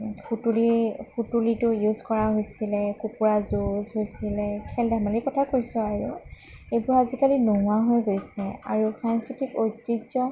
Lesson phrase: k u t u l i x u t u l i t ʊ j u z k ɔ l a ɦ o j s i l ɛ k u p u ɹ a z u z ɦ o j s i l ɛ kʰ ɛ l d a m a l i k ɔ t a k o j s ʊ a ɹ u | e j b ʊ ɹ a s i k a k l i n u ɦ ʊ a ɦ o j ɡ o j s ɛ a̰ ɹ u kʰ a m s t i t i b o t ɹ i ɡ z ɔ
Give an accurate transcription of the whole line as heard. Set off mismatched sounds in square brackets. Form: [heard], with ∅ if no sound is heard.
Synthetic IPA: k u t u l i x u t u l i t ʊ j u z k ɔ [ɹ] a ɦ o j s i l ɛ k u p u ɹ a z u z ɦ o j s i l ɛ kʰ ɛ l d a m a l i k ɔ [tʰ] a k o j s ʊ a ɹ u | e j b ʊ ɹ a [z] i k a [∅] l i n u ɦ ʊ a ɦ o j ɡ o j s ɛ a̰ ɹ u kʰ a [n] s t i t i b o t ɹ i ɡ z ɔ

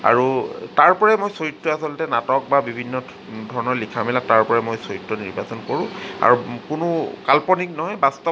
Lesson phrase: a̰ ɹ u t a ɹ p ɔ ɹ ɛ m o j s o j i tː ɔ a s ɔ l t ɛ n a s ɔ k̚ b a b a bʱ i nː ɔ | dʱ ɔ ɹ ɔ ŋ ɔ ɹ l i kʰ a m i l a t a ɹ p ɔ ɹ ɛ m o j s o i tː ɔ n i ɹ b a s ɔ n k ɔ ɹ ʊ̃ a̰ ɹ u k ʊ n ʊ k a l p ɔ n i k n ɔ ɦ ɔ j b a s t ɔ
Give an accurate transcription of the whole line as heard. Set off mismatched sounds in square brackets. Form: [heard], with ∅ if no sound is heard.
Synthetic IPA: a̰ ɹ u t a ɹ p ɔ ɹ ɛ m o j s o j i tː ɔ a s ɔ l t ɛ n a [t] ɔ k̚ b a b [i] bʱ i nː ɔ | dʱ ɔ ɹ ɔ [n] ɔ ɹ l i kʰ a m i l a t a ɹ p ɔ ɹ ɛ m o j s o i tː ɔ n i ɹ b a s ɔ n k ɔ ɹ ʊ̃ a̰ ɹ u k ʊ n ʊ k a l p ɔ n i k n ɔ ɦ ɔ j b a s t ɔ

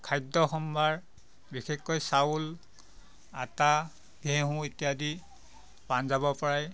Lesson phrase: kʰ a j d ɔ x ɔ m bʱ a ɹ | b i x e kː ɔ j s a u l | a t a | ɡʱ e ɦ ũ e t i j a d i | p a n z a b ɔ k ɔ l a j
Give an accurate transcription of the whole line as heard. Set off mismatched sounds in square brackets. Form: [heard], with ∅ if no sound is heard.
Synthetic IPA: kʰ a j d ɔ x ɔ m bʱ a ɹ | b i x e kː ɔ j s a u l | a t a | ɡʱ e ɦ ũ e t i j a d i | p a n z a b ɔ [p] ɔ [ɹ] a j

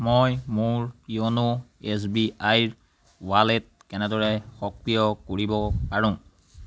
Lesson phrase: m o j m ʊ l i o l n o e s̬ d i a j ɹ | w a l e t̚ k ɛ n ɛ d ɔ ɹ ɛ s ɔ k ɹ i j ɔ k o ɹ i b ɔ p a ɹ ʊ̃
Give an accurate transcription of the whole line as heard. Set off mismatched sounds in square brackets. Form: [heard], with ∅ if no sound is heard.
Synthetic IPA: m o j m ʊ [ɹ] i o [∅] n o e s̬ [b] i a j ɹ | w a l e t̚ k ɛ n ɛ d ɔ ɹ ɛ [x] ɔ k ɹ i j ɔ k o ɹ i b ɔ p a ɹ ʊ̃

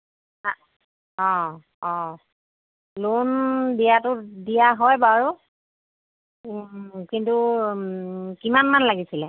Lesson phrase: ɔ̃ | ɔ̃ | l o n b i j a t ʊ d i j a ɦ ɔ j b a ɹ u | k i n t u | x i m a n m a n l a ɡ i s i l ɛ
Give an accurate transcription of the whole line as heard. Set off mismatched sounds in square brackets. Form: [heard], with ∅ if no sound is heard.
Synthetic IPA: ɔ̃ | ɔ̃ | l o n [d] i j a t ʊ d i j a ɦ ɔ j b a ɹ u | k i n t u | [k] i m a n m a n l a ɡ i s i l ɛ

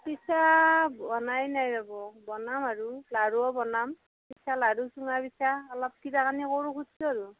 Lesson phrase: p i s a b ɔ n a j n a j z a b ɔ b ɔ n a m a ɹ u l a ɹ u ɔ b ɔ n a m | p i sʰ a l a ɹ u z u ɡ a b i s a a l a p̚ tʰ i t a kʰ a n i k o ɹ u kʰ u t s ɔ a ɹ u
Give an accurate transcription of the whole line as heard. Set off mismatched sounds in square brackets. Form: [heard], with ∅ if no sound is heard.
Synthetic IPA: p i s a b ɔ n a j n a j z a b ɔ b ɔ n a m a ɹ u l a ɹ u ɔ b ɔ n a m | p i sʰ a l a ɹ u [s] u [ŋ] a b i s a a l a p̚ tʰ i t a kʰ a n i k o ɹ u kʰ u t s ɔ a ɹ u

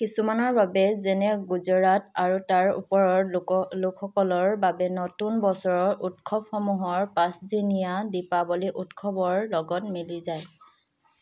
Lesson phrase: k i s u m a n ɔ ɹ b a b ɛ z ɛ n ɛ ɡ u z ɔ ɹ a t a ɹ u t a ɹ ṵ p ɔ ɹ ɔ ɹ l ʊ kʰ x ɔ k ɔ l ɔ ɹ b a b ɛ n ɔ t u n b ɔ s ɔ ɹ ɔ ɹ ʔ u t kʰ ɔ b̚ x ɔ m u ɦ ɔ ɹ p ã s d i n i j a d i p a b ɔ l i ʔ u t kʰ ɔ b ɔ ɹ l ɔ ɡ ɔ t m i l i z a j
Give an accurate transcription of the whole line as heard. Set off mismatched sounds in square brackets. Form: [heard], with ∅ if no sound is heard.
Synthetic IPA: k i s u m a n ɔ ɹ b a b ɛ z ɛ n ɛ ɡ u z ɔ ɹ a t a ɹ u t a ɹ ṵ p ɔ ɹ ɔ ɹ l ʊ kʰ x ɔ k ɔ l ɔ ɹ b a b ɛ n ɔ t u n b ɔ s ɔ ɹ ɔ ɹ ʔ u t kʰ ɔ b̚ x ɔ m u ɦ ɔ ɹ p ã s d i n i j a d i p a b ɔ l i ʔ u t kʰ ɔ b ɔ ɹ l ɔ ɡ ɔ t m i l i z a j

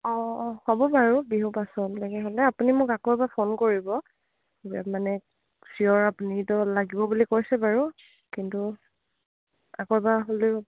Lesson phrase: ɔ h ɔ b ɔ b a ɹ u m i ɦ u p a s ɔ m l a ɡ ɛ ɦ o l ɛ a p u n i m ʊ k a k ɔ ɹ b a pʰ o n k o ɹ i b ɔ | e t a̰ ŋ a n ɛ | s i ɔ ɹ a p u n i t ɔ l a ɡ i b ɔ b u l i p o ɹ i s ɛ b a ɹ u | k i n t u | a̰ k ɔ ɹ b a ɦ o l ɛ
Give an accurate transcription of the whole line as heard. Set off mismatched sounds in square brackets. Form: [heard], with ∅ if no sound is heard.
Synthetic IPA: ɔ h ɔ b ɔ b a ɹ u [b] i ɦ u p a s ɔ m l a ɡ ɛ ɦ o l ɛ a p u n i m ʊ k a k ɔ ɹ b a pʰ o n k o ɹ i b ɔ | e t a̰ [m] a n ɛ | s i ɔ ɹ a p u n i t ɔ l a ɡ i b ɔ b u l i [k] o ɹ i s ɛ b a ɹ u | k i n t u | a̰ k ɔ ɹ b a ɦ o l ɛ

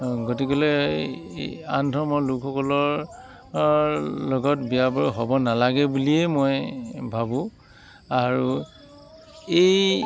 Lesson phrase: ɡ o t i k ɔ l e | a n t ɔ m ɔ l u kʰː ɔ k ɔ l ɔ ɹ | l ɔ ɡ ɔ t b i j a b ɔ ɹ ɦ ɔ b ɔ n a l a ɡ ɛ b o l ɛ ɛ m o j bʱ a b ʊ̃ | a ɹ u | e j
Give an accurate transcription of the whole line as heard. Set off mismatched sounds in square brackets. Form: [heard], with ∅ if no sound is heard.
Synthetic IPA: ɡ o t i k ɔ l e | a n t ɔ m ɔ l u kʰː ɔ k ɔ l ɔ ɹ | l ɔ ɡ ɔ t b i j a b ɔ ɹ ɦ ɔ b ɔ n a l a ɡ ɛ b [u] l [i] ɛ m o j bʱ a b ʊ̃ | a ɹ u | e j

